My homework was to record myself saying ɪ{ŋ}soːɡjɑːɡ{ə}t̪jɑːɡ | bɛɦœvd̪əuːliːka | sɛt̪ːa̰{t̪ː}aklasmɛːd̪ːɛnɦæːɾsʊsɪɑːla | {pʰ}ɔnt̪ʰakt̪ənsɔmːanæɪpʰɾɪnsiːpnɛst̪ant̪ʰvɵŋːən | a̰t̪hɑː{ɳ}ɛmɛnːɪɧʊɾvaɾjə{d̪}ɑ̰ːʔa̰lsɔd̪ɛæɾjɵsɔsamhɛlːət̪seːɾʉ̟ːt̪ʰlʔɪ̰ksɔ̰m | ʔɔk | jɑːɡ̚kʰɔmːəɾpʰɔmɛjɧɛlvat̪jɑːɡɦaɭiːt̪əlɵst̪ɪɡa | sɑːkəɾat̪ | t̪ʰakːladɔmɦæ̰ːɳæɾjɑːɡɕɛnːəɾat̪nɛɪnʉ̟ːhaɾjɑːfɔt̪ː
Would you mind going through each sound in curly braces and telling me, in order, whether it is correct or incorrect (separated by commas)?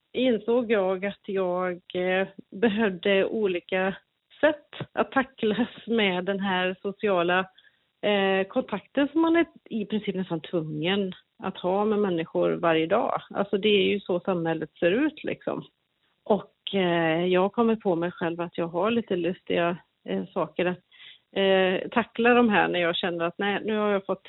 incorrect, incorrect, incorrect, incorrect, incorrect, correct